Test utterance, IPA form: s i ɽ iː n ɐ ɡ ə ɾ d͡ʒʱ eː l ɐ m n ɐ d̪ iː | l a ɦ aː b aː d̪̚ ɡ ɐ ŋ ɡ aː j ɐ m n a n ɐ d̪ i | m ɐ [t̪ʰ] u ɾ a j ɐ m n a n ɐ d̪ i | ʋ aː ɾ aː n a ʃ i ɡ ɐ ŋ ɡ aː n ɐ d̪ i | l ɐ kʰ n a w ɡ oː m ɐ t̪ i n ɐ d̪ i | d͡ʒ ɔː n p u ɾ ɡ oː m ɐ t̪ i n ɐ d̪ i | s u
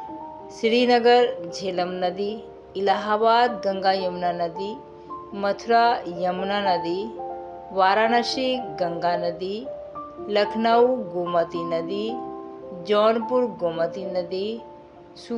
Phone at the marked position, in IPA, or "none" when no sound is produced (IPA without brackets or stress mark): t̪ʰ